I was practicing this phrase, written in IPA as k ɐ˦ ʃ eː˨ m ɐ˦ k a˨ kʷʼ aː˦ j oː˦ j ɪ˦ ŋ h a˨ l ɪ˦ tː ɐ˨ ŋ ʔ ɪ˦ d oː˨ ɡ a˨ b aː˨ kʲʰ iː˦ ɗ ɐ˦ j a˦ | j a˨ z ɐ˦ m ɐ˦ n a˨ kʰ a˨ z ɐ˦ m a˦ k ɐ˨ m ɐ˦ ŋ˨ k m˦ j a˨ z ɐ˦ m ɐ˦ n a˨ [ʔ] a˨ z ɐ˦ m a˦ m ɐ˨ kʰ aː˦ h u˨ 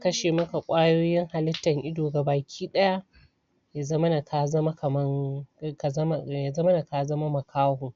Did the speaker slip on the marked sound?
yes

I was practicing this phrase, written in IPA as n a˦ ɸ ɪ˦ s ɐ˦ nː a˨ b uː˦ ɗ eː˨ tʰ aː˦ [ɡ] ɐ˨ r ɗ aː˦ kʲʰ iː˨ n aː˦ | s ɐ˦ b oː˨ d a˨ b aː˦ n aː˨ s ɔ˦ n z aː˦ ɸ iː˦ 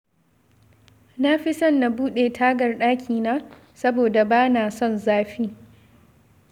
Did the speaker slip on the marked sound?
no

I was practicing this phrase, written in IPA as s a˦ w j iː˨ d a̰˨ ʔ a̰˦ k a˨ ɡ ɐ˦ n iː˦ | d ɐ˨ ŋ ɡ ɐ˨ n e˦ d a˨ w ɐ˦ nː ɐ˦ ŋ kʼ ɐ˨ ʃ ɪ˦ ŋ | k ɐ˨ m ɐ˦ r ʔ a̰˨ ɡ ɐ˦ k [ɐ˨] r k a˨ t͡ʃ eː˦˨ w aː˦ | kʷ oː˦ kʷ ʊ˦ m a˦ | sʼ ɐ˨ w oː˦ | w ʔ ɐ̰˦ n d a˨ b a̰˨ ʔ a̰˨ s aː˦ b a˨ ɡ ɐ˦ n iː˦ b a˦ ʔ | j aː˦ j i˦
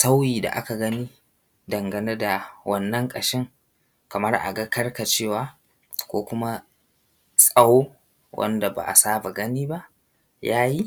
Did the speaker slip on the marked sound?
yes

